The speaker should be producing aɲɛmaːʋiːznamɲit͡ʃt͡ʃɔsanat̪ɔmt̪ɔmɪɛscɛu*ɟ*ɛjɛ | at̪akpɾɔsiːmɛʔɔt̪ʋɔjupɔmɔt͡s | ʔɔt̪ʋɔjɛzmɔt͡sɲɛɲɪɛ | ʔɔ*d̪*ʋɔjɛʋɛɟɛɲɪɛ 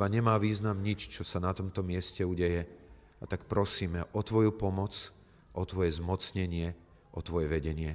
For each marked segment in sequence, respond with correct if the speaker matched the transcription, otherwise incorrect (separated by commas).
correct, incorrect